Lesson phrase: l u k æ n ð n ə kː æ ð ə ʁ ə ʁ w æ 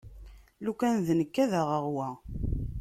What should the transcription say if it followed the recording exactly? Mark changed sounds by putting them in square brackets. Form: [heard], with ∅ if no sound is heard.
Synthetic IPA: l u k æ n ð n ə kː æ ð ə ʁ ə ʁ w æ